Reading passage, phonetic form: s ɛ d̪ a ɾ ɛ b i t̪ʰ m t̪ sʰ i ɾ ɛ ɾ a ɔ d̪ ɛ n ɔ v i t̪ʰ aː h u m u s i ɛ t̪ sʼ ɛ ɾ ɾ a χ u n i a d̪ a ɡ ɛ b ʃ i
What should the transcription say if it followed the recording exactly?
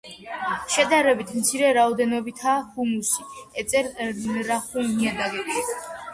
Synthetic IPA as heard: ʃ ɛ d̪ a ɾ ɛ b i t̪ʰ m t̪ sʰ i ɾ ɛ ɾ a ɔ d̪ ɛ n ɔ b i t̪ʰ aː h u m u s i ɛ t̪ sʼ ɛ ɾ ɾ a χ u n i a d̪ a ɡ ɛ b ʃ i